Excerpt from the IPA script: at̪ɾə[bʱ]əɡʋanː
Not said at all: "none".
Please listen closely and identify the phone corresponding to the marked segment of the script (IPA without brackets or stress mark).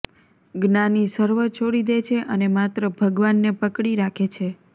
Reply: bʱ